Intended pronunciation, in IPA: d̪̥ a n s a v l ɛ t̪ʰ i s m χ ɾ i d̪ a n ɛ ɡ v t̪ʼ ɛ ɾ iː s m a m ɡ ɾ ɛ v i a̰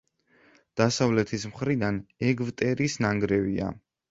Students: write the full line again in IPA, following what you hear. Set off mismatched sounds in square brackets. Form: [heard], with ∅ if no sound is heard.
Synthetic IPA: d̪̥ a [∅] s a v l ɛ t̪ʰ i s m χ ɾ i d̪ a n ɛ ɡ v t̪ʼ ɛ ɾ [i] s [n] a [ŋ] ɡ ɾ ɛ v i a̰